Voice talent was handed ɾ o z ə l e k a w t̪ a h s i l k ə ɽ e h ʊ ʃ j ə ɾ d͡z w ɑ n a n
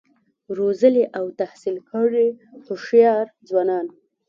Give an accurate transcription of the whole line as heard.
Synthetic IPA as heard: ɾ o z ə l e ʔ a w t̪ a h s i l k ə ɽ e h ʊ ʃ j ɑ ɾ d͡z w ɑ n ɑ n